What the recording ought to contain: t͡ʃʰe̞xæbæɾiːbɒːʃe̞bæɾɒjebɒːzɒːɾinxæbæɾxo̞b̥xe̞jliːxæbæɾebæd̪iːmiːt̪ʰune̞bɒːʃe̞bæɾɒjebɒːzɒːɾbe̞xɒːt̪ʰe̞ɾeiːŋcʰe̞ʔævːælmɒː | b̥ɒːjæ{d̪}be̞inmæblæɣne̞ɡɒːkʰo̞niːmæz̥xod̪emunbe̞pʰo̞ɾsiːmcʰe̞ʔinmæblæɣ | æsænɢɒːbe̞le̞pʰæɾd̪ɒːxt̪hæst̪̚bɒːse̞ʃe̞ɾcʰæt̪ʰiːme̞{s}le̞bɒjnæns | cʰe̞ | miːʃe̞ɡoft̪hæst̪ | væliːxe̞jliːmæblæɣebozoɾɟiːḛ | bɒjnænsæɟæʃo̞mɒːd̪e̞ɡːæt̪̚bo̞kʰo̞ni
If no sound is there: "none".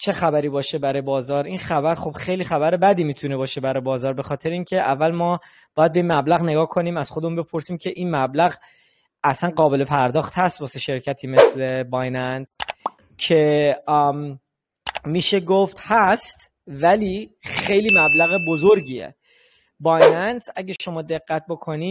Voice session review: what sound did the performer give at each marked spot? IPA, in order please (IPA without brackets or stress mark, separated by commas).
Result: d̪, s